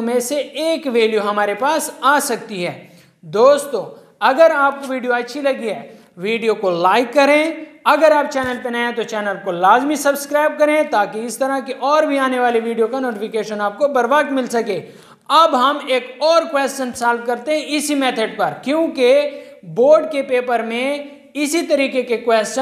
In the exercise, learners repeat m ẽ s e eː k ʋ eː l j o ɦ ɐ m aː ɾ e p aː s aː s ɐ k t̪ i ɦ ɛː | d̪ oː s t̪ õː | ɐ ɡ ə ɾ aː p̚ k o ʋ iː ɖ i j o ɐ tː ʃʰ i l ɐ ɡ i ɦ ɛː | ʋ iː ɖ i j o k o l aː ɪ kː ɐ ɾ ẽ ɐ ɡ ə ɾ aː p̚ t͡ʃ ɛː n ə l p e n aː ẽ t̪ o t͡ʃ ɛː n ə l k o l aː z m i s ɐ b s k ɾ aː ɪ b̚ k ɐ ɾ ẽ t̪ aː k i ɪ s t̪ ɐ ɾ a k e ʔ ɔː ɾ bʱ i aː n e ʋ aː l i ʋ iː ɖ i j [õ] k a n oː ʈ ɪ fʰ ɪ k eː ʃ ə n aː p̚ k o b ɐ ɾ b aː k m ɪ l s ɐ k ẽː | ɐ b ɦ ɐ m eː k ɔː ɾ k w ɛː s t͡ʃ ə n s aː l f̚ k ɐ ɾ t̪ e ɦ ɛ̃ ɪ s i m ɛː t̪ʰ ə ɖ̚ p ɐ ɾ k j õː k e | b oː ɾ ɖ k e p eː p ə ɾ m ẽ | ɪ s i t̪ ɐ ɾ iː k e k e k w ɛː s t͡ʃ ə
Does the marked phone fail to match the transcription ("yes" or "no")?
yes